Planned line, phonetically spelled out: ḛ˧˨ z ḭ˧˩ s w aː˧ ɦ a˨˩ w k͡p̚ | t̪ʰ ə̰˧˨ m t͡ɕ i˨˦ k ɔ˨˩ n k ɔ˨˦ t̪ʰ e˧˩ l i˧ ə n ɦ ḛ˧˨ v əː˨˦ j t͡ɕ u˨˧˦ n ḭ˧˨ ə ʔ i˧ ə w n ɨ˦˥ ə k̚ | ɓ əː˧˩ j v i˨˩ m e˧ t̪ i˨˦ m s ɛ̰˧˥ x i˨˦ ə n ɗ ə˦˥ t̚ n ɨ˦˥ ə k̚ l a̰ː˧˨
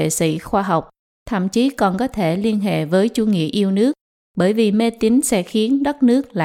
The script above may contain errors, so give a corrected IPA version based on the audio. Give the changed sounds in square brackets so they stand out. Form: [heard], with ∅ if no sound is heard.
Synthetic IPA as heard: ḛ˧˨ [s] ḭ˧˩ [x] w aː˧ ɦ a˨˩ w k͡p̚ | t̪ʰ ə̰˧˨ m t͡ɕ i˨˦ k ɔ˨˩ n k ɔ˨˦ t̪ʰ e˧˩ l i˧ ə n ɦ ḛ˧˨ v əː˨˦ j t͡ɕ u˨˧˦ [ŋ] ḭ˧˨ ə ʔ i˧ ə w n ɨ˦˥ ə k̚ | ɓ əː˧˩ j v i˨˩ m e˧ t̪ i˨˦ [ŋ] s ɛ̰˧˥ x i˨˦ ə n ɗ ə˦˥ t̚ n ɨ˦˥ ə k̚ l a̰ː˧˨